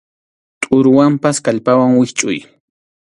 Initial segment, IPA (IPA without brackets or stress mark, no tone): t̪ʼ